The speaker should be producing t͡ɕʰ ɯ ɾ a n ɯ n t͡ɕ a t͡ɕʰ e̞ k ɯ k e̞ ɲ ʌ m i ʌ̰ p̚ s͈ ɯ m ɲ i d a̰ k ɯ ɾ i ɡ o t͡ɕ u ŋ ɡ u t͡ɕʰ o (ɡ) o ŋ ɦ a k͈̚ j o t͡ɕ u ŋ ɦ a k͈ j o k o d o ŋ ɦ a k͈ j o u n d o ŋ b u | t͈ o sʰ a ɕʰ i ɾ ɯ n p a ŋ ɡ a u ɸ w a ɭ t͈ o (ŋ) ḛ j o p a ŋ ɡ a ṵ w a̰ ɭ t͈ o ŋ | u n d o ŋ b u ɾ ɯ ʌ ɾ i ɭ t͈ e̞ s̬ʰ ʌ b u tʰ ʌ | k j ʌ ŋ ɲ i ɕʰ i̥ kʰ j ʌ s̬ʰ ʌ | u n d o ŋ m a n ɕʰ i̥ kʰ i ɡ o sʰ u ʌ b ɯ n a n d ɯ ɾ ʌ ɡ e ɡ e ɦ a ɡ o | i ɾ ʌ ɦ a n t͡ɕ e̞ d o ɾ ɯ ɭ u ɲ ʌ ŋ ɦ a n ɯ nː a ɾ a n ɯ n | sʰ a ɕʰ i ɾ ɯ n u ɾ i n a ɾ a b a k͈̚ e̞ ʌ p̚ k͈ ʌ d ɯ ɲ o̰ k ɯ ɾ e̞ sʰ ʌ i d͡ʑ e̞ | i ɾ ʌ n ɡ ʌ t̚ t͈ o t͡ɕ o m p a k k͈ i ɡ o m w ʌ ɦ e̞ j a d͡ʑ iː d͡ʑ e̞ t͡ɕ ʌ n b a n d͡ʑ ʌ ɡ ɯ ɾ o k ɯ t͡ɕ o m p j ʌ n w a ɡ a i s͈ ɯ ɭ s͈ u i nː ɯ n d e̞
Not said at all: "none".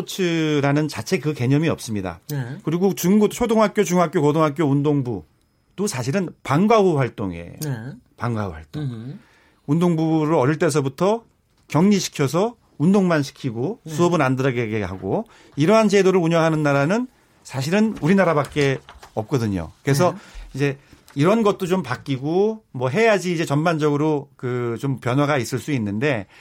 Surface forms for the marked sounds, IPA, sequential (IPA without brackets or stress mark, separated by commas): d, ŋ